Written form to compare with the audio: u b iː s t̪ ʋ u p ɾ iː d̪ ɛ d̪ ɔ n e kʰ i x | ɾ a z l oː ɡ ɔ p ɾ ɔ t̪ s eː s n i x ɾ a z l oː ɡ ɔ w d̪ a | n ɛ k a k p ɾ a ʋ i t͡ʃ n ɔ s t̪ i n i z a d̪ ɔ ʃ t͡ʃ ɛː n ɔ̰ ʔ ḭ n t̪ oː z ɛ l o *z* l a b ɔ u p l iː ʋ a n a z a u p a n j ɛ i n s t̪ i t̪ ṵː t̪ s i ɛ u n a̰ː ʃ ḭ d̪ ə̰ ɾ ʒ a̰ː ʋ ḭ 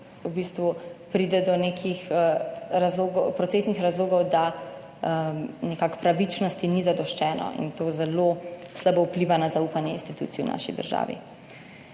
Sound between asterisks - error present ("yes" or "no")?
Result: yes